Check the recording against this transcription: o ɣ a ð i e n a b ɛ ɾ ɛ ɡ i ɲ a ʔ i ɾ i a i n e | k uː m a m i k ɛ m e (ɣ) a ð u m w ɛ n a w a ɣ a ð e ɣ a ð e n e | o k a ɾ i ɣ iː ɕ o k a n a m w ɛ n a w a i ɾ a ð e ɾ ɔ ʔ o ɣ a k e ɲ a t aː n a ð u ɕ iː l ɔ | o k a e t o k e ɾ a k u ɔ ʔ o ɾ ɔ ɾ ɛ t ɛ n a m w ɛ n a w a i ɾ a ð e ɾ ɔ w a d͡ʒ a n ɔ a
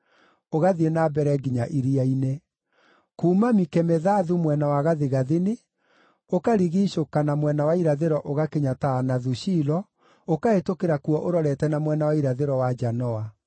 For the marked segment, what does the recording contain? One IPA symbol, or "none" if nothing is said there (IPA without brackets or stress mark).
ð